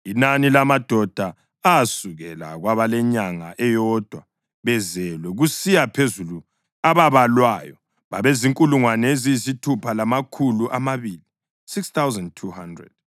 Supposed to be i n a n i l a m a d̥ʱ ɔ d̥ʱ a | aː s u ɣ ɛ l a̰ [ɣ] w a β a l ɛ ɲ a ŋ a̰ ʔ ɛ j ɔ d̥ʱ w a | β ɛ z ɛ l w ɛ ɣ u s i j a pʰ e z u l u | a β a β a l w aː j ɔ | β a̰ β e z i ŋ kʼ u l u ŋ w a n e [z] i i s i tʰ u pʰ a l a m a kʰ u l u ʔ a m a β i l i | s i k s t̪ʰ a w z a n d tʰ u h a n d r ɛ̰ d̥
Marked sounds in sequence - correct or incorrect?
correct, correct

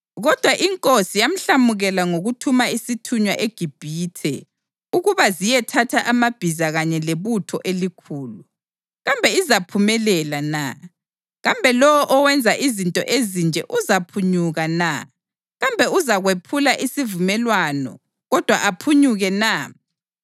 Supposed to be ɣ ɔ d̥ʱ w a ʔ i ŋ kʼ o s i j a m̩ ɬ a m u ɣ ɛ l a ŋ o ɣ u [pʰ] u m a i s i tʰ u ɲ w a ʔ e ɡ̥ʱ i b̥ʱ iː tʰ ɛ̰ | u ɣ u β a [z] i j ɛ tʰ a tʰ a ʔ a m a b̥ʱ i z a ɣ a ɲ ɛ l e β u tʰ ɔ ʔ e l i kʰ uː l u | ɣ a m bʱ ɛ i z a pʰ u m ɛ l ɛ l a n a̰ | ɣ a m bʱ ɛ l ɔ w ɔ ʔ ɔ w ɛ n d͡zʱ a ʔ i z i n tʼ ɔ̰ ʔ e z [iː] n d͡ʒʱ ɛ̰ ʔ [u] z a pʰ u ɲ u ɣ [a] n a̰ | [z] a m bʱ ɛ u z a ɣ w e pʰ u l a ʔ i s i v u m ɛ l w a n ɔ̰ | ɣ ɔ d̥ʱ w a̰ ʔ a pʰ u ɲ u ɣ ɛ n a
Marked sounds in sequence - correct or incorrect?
incorrect: tʰ, correct, incorrect: i, correct, correct, incorrect: ɣ

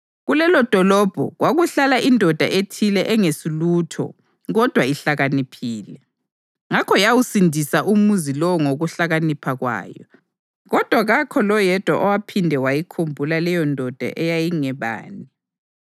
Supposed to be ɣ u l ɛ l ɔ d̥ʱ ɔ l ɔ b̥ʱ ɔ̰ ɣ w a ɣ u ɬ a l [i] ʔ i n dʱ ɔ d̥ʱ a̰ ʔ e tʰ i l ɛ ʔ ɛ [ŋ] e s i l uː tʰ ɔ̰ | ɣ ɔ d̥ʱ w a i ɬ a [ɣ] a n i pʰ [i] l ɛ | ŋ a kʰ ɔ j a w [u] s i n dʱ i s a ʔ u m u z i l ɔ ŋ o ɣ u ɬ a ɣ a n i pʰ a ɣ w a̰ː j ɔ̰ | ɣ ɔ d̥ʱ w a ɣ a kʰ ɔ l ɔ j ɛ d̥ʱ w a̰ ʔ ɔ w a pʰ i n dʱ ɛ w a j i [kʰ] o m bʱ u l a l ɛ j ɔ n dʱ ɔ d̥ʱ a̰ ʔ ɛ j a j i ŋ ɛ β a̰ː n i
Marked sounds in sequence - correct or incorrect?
incorrect: a, correct, correct, incorrect: iː, correct, correct

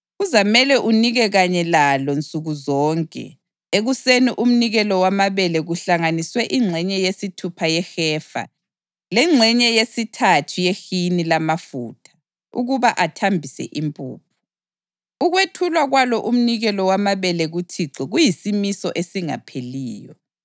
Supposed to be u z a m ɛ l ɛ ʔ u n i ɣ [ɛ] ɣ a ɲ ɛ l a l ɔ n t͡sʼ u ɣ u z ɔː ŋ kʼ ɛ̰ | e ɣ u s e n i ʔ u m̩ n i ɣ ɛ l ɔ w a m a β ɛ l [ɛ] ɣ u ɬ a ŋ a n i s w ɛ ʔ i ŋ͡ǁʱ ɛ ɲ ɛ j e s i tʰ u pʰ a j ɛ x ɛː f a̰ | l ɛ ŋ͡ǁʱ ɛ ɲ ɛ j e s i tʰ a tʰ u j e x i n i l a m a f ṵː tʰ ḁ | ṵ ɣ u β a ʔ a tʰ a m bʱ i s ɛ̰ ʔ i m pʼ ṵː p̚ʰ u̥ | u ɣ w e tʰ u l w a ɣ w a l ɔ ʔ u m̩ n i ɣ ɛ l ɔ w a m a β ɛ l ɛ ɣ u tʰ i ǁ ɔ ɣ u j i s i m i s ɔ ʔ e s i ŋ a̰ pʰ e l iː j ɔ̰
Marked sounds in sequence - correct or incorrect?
correct, correct

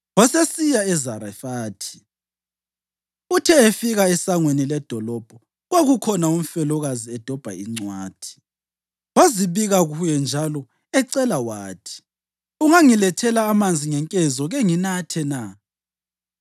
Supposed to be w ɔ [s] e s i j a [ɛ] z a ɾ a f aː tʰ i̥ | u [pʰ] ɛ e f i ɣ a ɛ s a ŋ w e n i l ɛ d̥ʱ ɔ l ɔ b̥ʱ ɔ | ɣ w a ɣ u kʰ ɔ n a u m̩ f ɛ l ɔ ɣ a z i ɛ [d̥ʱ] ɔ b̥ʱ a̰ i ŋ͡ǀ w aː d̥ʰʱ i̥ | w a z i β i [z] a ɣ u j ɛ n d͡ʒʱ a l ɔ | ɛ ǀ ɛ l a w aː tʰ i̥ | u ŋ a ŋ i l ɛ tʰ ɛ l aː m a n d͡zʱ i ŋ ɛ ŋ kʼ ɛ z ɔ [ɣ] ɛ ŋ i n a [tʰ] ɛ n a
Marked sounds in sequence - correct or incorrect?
correct, correct, incorrect: tʰ, correct, incorrect: ɣ, correct, correct

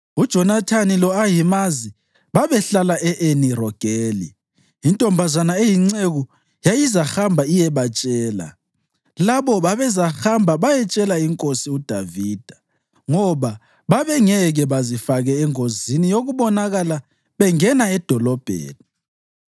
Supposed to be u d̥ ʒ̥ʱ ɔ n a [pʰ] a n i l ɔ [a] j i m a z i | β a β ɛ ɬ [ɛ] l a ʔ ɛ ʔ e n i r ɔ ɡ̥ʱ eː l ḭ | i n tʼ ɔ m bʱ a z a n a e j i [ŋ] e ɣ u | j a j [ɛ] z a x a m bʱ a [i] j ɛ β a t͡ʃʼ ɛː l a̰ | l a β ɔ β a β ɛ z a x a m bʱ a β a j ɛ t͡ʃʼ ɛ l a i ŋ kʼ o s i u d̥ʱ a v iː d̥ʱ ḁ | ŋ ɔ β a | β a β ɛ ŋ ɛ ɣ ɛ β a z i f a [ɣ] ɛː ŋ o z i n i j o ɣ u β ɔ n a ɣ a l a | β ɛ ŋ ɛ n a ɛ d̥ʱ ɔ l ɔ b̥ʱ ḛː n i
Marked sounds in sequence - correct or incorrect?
incorrect: tʰ, correct, incorrect: a, incorrect: ŋ͡ǀ, incorrect: i, correct, correct

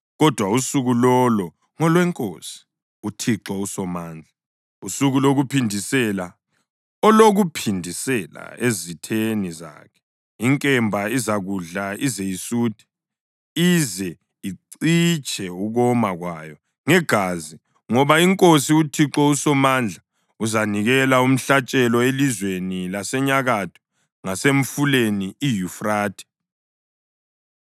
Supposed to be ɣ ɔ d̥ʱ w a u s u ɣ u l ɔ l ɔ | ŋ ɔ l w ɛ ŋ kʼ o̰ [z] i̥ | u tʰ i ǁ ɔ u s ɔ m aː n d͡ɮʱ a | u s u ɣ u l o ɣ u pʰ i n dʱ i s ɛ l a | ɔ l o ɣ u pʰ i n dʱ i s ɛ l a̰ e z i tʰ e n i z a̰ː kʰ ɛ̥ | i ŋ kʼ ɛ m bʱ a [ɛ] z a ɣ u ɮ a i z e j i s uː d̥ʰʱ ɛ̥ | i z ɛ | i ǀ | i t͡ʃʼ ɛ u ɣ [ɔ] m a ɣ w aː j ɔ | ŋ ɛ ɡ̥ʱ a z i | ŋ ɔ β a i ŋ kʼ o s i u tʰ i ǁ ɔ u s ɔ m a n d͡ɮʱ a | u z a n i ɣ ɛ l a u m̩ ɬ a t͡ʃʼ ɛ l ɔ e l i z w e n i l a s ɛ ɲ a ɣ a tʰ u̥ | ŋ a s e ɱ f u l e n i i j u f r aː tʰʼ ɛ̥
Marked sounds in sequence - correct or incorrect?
incorrect: s, incorrect: i, correct

